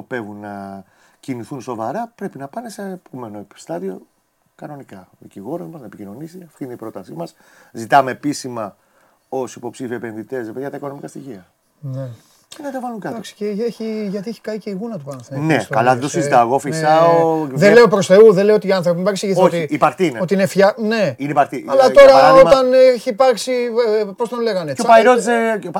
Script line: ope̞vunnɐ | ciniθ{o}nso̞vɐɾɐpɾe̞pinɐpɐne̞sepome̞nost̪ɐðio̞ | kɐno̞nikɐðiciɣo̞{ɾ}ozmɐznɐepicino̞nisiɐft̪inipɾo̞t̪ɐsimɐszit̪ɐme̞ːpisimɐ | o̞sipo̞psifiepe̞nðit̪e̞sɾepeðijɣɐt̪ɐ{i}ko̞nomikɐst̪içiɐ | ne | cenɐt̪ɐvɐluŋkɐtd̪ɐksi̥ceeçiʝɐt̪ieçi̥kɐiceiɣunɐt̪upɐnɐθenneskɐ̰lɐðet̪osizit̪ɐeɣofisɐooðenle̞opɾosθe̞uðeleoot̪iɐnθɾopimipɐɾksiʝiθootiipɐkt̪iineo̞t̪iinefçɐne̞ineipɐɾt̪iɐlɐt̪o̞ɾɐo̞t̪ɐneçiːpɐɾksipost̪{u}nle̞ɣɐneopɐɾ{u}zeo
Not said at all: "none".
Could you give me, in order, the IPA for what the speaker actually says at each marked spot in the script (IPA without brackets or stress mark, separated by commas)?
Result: u, ɾ, i, o, o